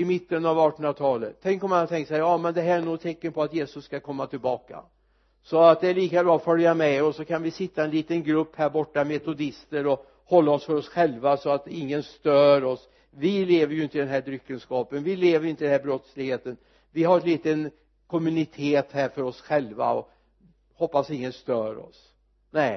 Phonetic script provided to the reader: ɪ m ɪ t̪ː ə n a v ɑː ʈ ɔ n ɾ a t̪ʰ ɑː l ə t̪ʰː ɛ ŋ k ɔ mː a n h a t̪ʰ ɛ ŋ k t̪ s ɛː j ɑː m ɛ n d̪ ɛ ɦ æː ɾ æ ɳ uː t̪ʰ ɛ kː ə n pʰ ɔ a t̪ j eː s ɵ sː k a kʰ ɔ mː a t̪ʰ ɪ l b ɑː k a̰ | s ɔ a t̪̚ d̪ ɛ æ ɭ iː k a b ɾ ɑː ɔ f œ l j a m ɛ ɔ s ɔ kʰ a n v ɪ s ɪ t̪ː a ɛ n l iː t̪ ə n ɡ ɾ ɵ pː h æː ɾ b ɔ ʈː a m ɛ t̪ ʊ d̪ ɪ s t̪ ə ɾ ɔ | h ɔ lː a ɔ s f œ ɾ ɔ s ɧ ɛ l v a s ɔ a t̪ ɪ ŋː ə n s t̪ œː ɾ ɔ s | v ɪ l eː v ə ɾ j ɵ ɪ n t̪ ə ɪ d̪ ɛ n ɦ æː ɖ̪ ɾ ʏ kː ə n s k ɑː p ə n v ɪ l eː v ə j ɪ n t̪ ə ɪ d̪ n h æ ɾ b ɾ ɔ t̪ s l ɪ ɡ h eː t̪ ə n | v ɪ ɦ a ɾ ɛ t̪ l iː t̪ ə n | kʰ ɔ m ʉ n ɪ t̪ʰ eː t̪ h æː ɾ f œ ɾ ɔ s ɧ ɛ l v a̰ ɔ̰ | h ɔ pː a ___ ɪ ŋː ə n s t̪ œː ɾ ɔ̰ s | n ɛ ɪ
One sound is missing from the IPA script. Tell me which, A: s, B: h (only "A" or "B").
A